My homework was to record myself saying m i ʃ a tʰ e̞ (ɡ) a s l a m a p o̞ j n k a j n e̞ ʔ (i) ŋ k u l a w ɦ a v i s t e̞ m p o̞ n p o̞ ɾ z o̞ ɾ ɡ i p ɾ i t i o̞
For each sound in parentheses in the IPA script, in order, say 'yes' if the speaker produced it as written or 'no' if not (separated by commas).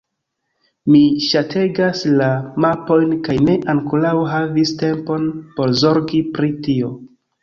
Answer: yes, no